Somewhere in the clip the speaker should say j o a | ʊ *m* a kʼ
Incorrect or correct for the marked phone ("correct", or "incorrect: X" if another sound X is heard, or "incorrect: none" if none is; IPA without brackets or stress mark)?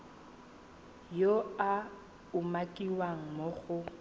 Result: correct